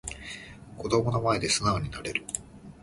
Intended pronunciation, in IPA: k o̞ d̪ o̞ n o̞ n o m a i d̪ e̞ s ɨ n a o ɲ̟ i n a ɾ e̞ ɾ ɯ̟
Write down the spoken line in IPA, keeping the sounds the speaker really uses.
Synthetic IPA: k o̞ d̪ o̞ m o̞ n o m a e d̪ e̞ s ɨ n a o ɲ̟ i n a ɾ e̞ ɾ ɯ̟